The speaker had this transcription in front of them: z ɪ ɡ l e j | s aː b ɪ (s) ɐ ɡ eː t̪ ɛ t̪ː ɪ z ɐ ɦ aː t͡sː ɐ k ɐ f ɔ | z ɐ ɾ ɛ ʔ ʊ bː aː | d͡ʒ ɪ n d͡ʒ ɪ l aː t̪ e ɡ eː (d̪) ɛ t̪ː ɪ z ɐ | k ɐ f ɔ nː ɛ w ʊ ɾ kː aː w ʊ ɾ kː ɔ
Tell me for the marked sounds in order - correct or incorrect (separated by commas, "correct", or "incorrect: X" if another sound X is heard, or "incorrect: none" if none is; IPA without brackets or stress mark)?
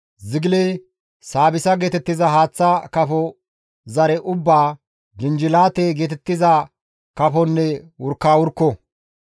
correct, incorrect: t̪